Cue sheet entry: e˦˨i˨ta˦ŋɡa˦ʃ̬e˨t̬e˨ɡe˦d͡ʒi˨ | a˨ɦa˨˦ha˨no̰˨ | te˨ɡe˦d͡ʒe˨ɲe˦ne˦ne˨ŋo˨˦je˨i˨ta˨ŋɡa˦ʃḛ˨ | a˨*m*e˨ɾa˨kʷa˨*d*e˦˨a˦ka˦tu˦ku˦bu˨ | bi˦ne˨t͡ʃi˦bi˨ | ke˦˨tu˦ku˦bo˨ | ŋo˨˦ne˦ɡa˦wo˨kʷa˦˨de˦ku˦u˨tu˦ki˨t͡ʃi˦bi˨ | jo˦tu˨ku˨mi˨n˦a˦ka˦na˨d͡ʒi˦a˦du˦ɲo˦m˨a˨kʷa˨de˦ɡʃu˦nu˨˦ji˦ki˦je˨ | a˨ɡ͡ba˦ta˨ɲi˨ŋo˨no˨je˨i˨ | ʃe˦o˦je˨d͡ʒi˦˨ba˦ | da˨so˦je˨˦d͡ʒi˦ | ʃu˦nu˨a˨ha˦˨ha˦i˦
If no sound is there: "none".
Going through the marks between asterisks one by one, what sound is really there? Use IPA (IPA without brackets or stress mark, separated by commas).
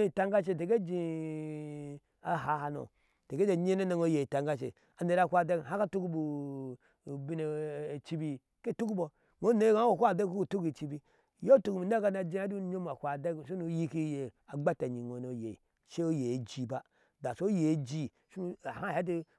n, d